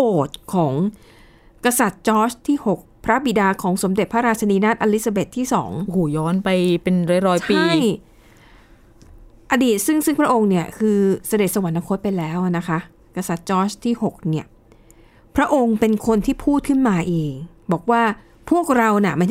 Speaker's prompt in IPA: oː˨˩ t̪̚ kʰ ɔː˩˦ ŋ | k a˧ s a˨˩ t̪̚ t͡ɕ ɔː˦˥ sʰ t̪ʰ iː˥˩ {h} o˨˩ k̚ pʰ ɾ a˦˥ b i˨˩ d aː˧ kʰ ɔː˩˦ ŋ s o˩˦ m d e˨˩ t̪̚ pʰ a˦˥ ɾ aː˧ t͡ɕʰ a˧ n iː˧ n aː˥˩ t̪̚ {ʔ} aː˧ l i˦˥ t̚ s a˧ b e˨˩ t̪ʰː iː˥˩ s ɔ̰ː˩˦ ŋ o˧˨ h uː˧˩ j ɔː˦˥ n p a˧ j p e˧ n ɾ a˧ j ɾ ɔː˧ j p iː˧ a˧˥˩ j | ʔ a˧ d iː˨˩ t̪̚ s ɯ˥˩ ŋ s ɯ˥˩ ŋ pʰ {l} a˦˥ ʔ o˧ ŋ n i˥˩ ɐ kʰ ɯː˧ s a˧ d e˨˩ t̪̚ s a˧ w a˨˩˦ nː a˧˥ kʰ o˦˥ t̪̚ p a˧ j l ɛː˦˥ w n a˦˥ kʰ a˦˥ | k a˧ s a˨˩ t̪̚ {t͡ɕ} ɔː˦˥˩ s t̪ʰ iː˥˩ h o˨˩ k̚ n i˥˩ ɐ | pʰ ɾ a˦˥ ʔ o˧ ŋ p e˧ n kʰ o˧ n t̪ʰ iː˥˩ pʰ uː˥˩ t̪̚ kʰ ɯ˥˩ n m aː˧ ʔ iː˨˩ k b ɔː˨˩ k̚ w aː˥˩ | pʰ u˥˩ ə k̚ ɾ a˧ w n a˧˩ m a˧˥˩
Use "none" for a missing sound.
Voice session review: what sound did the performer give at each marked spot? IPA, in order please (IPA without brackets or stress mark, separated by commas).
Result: h, ʔ, ɾ, t͡ɕ